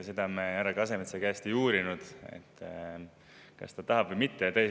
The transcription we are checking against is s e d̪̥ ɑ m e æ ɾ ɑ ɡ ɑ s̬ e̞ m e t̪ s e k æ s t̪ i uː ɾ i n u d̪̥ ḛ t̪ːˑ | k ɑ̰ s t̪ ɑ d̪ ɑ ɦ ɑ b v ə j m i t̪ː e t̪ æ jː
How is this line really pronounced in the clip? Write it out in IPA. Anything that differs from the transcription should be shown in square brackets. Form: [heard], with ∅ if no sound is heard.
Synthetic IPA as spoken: s e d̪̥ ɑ m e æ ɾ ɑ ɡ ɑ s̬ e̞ m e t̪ s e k æ s t̪ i uː ɾ i n u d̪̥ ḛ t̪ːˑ | k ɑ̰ s t̪ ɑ [t̪] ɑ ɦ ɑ b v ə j m i t̪ː e t̪ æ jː